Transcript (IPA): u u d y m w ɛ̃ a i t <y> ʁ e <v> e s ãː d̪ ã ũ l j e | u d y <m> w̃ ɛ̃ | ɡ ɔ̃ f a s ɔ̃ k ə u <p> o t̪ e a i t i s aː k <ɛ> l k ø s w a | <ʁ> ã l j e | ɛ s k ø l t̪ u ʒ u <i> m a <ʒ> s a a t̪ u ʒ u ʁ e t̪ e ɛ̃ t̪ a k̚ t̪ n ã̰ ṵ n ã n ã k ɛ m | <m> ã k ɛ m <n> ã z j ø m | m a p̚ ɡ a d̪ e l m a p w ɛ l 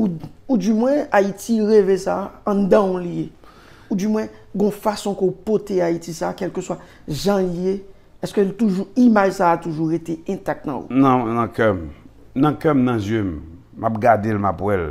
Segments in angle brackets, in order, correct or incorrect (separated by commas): incorrect, correct, correct, correct, correct, incorrect, correct, correct, incorrect, correct